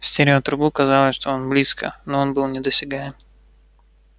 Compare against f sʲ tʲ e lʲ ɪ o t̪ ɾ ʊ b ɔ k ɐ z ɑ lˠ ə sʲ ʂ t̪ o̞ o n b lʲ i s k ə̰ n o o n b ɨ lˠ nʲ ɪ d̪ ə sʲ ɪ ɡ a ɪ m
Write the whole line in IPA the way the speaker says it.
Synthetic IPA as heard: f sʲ tʲ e ɾʲ ɪ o t̪ ɾ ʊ b u k ɐ z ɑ lˠ ə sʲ ʂ t̪ o̞ o n b lʲ i s k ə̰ n o o n b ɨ lˠ nʲ ɪ d̪ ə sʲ ɪ ɡ a ɪ m